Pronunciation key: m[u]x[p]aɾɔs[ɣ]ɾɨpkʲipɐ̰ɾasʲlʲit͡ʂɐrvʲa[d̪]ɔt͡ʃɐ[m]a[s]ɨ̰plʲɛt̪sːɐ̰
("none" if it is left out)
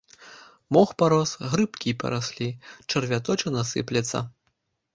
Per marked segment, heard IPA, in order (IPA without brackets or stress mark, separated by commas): ɔ, p, ɣ, t̪, n, s